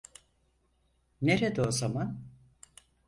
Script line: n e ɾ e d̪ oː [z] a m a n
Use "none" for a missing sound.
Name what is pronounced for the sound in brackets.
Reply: z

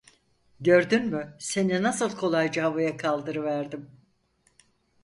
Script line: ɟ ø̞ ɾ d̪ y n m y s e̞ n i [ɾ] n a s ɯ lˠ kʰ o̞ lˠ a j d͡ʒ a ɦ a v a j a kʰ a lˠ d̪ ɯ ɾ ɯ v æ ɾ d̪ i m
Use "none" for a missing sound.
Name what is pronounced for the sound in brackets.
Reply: none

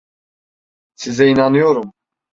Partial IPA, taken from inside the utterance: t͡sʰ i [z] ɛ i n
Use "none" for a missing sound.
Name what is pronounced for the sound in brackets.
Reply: z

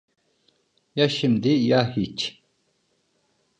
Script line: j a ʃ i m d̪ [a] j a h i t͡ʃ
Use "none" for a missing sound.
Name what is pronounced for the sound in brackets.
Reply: i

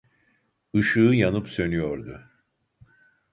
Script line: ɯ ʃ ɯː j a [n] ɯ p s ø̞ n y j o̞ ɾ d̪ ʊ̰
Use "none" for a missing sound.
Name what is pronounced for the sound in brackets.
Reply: n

